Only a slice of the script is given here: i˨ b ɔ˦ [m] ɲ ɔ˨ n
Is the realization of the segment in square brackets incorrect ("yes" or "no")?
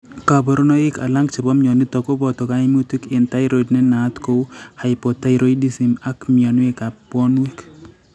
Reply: no